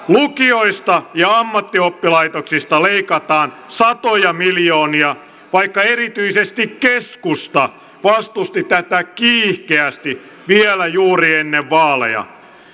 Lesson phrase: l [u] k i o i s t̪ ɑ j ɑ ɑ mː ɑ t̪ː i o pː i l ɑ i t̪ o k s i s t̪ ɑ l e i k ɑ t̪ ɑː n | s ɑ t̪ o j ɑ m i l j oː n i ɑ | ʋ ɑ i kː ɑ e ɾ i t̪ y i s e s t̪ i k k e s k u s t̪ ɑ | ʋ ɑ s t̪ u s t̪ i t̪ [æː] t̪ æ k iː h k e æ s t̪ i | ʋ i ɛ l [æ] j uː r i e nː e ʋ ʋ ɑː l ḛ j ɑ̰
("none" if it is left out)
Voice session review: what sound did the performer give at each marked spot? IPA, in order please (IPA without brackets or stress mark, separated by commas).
u, æ, æ